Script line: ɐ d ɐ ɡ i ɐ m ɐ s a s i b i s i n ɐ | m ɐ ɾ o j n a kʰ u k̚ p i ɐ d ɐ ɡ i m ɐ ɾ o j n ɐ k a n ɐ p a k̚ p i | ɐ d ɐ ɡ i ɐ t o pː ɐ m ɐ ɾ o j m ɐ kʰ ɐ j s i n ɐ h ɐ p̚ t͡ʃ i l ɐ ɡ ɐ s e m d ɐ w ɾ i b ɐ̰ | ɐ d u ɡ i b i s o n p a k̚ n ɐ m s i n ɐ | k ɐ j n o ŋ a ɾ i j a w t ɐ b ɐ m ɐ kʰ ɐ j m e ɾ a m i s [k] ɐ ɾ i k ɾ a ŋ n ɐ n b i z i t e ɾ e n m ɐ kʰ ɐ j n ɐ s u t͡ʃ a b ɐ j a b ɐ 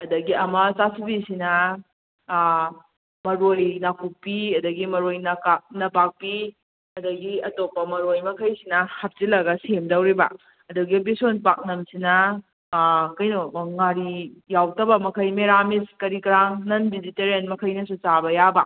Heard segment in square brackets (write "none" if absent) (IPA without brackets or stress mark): k